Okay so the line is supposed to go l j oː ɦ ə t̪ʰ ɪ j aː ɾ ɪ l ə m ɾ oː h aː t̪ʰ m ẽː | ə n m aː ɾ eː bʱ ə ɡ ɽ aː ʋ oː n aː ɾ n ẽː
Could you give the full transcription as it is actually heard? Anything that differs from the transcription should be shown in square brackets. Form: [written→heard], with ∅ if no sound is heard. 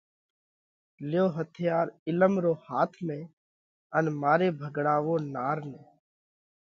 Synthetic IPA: l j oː ɦ ə t̪ʰ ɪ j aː ɾ ɪ l ə m ɾ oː h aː t̪ʰ m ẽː | ə n m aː ɾ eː bʱ ə ɡ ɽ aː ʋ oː n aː ɾ n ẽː